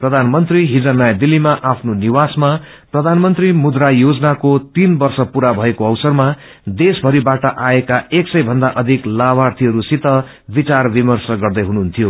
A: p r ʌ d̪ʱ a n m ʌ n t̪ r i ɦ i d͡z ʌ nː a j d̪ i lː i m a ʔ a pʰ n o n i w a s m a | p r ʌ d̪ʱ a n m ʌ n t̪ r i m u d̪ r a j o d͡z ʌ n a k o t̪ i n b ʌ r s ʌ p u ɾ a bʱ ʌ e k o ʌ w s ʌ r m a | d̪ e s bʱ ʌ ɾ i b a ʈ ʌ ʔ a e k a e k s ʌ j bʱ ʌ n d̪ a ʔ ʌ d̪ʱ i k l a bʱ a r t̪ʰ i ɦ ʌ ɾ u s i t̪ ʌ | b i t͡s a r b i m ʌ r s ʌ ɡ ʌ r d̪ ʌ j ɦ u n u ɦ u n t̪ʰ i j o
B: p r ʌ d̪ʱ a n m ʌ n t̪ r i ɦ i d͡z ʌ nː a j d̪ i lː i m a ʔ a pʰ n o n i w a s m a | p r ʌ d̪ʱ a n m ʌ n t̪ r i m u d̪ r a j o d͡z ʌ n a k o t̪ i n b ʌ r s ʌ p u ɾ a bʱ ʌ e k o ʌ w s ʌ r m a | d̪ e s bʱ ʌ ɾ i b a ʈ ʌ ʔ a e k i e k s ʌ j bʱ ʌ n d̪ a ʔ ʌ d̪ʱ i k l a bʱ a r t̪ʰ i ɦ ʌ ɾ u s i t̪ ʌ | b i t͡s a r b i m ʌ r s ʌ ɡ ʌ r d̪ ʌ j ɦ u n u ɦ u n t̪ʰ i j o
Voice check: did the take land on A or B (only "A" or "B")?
A